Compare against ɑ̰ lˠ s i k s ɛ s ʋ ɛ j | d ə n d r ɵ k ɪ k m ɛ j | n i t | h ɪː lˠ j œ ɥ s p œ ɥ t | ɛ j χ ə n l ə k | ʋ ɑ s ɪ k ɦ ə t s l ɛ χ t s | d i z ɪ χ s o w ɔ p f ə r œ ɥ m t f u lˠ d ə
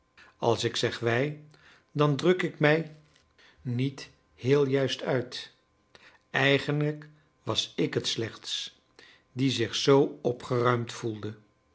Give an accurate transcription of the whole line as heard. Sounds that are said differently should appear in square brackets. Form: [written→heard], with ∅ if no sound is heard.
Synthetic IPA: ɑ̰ lˠ s [i→ɪ] k s ɛ [s→χ] ʋ ɛ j | d [ə→ɑ] n d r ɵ k ɪ k m ɛ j | n i t | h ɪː lˠ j œ ɥ s [p→t] œ ɥ t | ɛ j χ ə n l ə k | ʋ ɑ s ɪ k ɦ ə t s l ɛ χ t s | d i z ɪ χ s o w ɔ p [f→χ] ə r œ ɥ m t f u lˠ d ə